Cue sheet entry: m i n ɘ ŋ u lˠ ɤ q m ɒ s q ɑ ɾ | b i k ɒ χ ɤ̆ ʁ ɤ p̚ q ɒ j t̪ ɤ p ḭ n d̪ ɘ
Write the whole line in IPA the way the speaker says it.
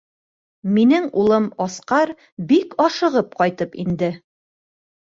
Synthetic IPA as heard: m i n ɘ ŋ u lˠ ɤ m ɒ s q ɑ ɾ | b i k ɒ ʃ ɤ̆ ʁ ɤ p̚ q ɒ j t̪ ɤ p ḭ n d̪ ɘ